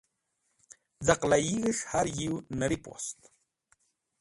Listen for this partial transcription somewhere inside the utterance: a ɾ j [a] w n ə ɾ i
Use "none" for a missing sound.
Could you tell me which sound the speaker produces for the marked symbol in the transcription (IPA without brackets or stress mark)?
i